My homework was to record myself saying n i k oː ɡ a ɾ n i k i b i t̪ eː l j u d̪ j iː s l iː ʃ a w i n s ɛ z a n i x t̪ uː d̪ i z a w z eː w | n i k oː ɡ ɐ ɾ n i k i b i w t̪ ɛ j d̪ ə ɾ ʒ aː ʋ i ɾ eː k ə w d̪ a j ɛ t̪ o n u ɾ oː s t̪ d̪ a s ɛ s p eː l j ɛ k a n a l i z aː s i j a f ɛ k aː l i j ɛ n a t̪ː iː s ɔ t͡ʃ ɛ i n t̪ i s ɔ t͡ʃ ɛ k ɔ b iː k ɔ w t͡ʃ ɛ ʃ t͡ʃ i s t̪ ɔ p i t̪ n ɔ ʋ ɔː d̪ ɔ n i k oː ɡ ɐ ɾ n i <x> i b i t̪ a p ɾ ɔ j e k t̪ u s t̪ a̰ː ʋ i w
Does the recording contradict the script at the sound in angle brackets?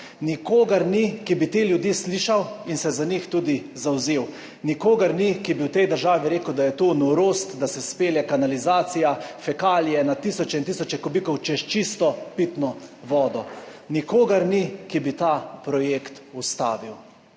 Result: yes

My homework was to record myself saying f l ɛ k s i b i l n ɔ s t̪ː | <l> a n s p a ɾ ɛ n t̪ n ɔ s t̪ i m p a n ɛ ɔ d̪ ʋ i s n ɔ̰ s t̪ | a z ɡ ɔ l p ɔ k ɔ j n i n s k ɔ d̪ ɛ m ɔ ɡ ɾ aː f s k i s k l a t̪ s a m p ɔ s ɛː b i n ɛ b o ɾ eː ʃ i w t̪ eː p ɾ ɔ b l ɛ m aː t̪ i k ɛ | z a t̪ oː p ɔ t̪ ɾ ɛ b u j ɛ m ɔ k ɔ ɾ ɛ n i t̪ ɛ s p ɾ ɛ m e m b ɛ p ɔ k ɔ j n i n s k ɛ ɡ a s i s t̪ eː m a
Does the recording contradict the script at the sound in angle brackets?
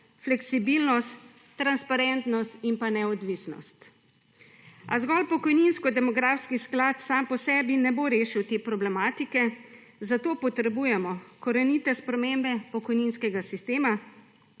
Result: yes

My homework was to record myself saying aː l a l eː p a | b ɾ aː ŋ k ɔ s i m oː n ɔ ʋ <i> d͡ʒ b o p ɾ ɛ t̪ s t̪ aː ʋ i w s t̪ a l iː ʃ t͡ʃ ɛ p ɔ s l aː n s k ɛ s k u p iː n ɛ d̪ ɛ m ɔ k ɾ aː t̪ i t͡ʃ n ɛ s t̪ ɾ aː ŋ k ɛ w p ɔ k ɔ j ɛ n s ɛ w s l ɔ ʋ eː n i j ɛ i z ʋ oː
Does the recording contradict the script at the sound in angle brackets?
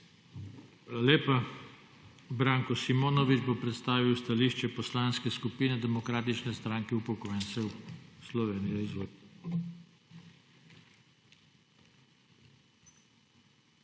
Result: no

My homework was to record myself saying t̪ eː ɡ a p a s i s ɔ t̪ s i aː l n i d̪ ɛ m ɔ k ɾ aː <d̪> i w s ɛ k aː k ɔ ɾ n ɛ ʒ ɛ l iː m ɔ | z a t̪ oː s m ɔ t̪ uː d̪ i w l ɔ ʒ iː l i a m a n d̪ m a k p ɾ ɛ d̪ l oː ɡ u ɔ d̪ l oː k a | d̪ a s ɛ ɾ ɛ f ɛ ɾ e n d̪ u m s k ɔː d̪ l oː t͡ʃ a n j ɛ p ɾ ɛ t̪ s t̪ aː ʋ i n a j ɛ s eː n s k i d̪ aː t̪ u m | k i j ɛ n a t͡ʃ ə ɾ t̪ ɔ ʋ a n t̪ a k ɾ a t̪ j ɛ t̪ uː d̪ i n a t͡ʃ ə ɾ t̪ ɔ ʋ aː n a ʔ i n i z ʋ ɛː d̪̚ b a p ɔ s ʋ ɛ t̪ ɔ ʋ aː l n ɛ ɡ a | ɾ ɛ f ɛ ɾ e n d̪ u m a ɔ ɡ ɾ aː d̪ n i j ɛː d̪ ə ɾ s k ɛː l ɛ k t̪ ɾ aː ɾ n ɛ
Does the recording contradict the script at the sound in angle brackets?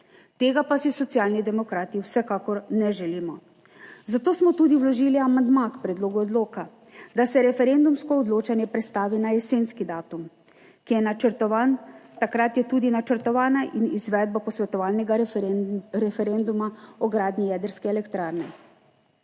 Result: yes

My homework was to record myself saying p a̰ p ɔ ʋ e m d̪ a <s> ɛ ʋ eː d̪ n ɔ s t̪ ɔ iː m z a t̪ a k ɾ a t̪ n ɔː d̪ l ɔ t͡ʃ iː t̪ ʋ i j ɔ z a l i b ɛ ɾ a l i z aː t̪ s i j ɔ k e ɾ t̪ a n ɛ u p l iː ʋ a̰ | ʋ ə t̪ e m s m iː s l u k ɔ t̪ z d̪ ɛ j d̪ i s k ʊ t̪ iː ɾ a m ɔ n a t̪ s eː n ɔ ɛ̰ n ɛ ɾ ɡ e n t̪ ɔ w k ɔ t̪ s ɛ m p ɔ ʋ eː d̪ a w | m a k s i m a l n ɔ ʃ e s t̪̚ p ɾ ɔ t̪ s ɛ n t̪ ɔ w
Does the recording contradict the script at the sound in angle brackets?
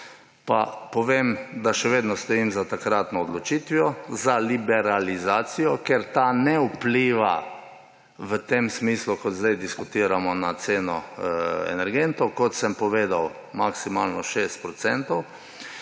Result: yes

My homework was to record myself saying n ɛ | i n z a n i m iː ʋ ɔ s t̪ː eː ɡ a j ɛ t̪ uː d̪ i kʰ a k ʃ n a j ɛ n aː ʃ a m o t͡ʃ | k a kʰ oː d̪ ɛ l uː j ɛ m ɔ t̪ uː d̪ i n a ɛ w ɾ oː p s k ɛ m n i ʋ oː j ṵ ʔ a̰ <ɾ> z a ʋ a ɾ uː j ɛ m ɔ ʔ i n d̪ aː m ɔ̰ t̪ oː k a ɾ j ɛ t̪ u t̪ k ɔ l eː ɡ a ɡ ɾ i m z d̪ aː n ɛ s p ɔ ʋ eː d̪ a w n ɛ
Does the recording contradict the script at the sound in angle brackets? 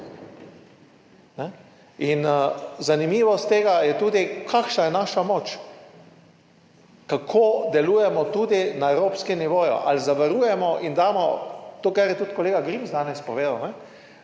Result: yes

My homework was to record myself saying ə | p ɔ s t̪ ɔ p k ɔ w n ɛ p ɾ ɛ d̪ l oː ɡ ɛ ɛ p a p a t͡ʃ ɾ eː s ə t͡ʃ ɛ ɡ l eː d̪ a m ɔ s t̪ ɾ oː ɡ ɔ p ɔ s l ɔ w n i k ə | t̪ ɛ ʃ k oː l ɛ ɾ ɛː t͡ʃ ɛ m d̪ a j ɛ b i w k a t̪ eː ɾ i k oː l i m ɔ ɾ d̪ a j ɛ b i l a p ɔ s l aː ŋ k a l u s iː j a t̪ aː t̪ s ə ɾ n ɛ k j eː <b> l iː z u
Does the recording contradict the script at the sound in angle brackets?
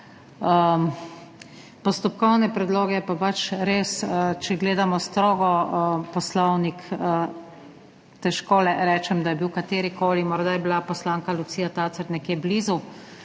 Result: no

